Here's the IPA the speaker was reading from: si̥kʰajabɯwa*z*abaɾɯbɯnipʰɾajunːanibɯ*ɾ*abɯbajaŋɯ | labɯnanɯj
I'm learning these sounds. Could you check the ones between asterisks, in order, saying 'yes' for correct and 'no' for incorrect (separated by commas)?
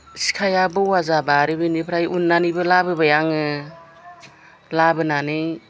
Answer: yes, no